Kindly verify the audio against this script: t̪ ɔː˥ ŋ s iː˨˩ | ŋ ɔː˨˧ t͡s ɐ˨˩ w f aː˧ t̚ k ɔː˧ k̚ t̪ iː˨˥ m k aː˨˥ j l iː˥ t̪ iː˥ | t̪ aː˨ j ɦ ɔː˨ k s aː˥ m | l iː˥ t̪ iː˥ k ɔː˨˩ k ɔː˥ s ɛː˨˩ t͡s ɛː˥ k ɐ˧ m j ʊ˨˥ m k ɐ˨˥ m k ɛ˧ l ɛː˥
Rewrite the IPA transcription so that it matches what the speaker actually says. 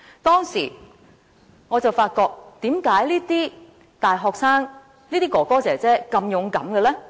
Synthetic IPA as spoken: t̪ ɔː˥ ŋ s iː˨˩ | ŋ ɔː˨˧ t͡s ɐ˨˩ w f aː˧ t̚ k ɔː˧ k̚ t̪ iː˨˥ m k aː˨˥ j l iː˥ t̪ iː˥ | t̪ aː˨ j ɦ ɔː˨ k s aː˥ ŋ | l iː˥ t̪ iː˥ k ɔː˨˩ k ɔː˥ t͡s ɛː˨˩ t͡s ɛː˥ k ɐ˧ m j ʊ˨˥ ŋ k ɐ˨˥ m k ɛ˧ l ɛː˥

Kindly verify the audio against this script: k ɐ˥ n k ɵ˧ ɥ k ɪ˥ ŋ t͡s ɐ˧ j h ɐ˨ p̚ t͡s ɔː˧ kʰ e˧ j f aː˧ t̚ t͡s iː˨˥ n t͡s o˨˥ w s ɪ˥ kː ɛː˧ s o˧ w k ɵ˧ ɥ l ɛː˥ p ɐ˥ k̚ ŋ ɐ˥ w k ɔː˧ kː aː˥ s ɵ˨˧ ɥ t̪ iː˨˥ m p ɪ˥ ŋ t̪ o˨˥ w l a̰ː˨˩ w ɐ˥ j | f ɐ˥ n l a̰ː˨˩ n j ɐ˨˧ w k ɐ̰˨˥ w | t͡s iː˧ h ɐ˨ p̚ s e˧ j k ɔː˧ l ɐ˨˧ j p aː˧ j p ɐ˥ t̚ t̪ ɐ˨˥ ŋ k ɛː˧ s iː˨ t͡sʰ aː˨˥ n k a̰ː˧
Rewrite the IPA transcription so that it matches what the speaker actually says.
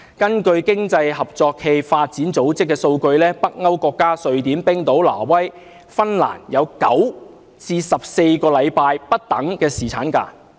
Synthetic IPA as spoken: k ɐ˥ n k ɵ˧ ɥ k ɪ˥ ŋ t͡s ɐ˧ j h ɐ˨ p̚ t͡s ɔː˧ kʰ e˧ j f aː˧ t̚ t͡s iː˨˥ n t͡s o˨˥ w t͡s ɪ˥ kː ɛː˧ s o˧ w k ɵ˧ ɥ l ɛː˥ p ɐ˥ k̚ ŋ ɐ˥ w k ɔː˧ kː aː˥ s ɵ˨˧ ɥ t̪ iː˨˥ m p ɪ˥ ŋ t̪ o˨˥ w l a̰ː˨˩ w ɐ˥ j | f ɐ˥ n l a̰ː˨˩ n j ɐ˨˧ w k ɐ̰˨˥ w | t͡s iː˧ s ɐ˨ p̚ s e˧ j k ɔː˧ l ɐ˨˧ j p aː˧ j p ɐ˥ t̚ t̪ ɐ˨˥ ŋ k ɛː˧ s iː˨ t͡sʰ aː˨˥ n k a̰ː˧

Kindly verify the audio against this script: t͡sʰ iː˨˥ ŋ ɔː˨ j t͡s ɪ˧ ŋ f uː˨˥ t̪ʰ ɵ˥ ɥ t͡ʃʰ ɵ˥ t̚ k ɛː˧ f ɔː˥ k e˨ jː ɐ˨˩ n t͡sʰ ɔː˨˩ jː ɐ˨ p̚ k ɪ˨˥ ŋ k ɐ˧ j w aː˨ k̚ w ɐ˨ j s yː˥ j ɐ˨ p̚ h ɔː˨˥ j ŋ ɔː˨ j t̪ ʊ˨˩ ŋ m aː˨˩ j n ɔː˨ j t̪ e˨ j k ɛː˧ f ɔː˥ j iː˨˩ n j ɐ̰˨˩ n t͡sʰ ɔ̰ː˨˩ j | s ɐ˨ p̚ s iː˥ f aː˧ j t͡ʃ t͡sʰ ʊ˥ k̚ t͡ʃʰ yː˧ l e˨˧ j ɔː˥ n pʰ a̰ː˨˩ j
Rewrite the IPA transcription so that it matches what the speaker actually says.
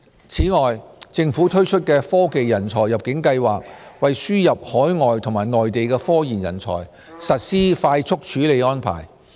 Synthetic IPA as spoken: t͡sʰ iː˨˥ ŋ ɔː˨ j t͡s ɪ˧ ŋ f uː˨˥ t̪ʰ ɵ˥ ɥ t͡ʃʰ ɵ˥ t̚ k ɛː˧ f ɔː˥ k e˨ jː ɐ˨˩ n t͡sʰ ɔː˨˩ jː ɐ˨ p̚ k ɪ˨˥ ŋ k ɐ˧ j w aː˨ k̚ w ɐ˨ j s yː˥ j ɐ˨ p̚ h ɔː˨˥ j ŋ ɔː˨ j t̪ʰ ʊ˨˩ ŋ m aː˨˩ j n ɔː˨ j t̪ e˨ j k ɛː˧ f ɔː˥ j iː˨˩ n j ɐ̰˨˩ n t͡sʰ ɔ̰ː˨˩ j | s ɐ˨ t̚ s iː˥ f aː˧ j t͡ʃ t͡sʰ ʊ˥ k̚ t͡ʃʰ yː˨˥ l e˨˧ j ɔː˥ n pʰ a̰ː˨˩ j

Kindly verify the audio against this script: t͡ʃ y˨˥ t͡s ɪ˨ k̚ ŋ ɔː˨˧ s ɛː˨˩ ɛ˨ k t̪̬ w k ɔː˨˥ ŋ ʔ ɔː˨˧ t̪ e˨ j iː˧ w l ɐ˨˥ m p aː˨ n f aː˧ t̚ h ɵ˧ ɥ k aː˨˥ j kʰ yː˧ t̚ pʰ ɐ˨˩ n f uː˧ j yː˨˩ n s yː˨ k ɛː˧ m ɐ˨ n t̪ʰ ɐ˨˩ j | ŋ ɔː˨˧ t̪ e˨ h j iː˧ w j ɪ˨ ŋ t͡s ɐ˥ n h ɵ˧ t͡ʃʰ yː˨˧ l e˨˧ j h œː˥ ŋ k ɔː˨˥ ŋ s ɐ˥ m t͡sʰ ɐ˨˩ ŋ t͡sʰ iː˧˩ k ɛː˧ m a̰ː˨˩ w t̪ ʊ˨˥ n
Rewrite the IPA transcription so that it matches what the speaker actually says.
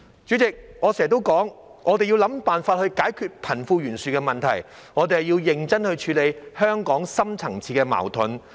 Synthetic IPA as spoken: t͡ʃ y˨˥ t͡s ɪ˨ k̚ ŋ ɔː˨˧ s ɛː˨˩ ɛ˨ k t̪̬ w k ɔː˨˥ ŋ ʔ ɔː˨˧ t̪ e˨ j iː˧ w l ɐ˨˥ m p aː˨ n f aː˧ t̚ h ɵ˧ ɥ k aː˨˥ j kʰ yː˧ t̚ pʰ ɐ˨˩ n f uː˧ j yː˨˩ n s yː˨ k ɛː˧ m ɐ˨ n t̪ʰ ɐ˨˩ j | ŋ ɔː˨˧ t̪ e˨ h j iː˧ w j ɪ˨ ŋ t͡s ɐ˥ n h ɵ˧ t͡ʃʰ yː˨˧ l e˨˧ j h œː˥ ŋ k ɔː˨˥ ŋ s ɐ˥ m t͡sʰ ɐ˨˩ ŋ t͡sʰ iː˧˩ k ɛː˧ m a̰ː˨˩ w t̪ʰ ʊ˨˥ n

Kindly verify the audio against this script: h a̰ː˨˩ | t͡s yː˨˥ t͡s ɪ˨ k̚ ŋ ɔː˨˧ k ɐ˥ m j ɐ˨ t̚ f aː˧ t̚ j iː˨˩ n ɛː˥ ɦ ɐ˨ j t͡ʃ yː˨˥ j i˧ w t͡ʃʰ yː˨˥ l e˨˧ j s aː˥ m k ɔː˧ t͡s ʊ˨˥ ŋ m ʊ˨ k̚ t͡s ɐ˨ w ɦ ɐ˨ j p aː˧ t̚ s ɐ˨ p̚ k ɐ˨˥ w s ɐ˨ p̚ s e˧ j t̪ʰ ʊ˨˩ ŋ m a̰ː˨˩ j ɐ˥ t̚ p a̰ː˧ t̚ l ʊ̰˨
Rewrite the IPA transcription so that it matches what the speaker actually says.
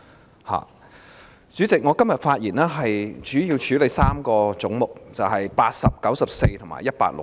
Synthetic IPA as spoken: h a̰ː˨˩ | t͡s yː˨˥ t͡s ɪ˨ k̚ ŋ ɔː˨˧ k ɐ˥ m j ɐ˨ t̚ f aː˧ t̚ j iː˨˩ n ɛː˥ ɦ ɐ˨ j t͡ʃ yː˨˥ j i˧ w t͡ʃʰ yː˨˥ l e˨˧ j s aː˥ m k ɔː˧ t͡s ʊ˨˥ ŋ m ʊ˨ k̚ t͡s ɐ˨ w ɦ ɐ˨ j p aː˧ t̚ s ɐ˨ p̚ k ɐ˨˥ w s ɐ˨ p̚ s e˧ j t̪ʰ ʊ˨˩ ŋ m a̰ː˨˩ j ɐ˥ t̚ p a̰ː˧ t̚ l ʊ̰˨

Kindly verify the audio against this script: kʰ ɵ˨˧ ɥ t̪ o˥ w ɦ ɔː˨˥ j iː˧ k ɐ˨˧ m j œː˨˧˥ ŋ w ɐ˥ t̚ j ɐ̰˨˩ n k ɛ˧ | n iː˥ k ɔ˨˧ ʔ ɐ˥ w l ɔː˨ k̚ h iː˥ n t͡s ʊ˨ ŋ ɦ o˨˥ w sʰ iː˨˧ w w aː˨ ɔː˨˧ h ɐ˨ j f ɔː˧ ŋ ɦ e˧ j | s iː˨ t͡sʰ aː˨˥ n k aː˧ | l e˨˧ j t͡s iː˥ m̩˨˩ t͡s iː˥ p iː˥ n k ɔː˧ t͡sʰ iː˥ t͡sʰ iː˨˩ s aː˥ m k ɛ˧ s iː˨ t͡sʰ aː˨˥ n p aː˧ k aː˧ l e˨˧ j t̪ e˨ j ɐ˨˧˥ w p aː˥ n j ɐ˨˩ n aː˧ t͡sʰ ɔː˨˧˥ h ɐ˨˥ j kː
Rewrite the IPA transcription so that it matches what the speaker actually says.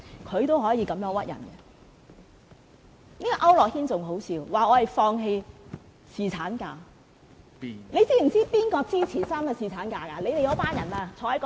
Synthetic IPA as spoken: kʰ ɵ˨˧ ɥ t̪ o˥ w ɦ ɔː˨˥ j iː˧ k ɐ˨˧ m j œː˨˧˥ ŋ w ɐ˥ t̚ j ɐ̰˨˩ n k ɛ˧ | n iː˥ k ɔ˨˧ ʔ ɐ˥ w l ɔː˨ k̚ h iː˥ n t͡s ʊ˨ ŋ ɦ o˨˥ w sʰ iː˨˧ w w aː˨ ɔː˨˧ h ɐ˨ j f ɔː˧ ŋ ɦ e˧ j | s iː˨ t͡sʰ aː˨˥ n k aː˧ | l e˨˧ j t͡s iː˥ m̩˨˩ t͡s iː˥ p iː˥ n k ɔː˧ t͡s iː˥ t͡sʰ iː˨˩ s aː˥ m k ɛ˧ s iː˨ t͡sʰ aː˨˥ n k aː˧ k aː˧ l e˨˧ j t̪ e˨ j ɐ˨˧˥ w p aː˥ n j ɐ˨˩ n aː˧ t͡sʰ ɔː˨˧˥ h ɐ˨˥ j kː

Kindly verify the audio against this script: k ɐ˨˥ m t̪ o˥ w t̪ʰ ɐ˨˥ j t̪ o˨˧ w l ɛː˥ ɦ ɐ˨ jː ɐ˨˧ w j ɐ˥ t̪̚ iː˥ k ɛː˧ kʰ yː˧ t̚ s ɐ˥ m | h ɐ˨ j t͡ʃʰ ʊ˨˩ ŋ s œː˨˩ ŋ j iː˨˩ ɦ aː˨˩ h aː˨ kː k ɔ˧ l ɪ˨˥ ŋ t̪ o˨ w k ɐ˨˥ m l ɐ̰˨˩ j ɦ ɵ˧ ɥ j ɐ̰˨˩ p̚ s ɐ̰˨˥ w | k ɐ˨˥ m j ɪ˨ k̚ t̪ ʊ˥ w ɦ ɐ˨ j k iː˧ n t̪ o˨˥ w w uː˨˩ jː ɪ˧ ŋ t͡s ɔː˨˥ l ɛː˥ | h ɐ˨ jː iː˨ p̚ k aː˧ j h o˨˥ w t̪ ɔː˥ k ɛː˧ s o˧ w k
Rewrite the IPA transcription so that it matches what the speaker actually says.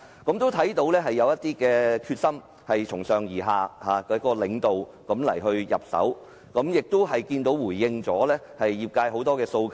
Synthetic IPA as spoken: k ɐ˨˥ m t̪ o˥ w t̪ʰ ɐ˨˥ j t̪ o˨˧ w l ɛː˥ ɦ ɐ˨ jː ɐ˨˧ w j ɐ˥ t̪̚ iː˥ k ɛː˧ kʰ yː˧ t̚ s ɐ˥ m | h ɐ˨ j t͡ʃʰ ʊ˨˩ ŋ s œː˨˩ ŋ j iː˨˩ ɦ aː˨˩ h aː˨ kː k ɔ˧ l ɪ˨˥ ŋ t̪ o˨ w k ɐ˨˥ m l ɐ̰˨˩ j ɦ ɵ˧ ɥ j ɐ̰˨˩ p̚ s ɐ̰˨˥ w | k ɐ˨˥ m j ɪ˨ k̚ t̪ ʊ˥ w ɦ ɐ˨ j k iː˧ n t̪ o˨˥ w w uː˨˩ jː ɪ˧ ŋ t͡s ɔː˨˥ l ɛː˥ | h ɐ˨ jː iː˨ p̚ k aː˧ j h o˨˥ w t̪ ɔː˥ k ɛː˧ s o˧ w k

